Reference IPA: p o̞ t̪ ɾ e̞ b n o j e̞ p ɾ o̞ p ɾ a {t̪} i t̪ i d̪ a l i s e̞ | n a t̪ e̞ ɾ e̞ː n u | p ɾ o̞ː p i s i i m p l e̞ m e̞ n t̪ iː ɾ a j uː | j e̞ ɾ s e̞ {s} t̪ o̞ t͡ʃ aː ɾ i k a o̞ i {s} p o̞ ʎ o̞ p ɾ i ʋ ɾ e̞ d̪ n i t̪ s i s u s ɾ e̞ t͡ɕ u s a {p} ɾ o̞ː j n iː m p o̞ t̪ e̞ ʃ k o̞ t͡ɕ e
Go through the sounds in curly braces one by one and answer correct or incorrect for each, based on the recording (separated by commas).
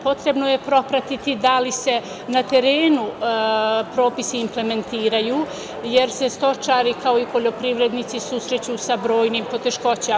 correct, correct, incorrect, incorrect